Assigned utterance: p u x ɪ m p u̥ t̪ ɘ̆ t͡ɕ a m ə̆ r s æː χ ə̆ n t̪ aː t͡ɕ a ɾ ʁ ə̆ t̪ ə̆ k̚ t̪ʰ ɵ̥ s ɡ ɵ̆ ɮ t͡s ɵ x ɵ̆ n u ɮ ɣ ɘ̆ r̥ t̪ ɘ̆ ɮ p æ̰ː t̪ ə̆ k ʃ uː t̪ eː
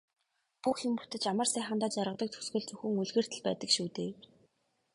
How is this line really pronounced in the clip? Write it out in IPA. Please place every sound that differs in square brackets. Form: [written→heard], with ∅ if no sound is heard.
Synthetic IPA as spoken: p u x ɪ m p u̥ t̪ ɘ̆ t͡ɕ a m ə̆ r s æː χ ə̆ n t̪ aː t͡ɕ a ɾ ʁ ə̆ t̪ ə̆ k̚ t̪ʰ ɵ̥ s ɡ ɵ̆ ɮ t͡s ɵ x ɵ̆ [n→ŋ] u ɮ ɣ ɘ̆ r̥ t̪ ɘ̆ ɮ p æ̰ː t̪ ə̆ k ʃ uː t̪ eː